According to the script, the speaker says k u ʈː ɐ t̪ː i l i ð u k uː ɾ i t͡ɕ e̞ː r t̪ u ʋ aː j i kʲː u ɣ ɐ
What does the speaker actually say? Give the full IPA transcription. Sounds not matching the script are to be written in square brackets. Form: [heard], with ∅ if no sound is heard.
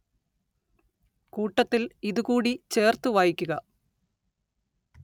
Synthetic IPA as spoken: k [uː] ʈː ɐ t̪ː i l i ð u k uː [ɽ] i t͡ɕ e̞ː r t̪ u ʋ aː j i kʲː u ɣ ɐ